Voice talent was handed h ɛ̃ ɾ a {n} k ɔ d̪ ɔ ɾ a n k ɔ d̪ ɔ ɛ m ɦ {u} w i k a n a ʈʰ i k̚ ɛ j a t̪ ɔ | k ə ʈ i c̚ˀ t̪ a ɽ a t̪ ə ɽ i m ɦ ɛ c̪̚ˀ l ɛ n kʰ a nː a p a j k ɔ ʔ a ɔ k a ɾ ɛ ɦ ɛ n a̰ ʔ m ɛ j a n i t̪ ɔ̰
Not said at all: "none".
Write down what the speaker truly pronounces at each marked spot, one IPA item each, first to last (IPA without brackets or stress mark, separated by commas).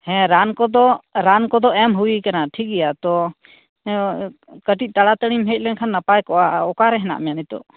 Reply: n, u